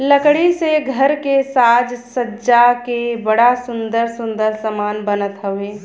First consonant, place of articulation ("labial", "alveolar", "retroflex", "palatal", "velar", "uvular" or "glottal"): alveolar